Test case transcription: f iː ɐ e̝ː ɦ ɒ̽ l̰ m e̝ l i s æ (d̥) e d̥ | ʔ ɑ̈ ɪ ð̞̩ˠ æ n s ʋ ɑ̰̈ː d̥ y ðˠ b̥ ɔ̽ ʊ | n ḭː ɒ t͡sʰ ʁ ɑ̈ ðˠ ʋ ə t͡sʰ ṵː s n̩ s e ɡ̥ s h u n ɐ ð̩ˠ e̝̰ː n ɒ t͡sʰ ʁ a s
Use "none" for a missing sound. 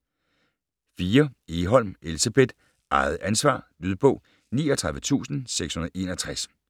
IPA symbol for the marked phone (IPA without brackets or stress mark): b̥